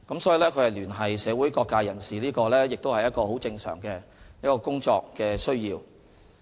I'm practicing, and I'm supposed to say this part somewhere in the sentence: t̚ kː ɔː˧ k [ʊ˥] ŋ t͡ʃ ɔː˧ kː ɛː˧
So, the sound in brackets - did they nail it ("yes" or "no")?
yes